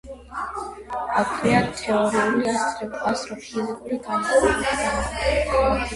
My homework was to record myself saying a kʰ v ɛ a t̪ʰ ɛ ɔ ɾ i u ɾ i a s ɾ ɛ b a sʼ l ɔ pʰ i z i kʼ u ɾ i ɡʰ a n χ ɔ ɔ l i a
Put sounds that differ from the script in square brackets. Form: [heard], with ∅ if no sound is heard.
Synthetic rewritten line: a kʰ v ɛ a t̪ʰ ɛ ɔ ɾ i u [l] i a s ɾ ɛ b a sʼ [ɾ] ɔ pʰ i z i kʼ u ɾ i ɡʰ a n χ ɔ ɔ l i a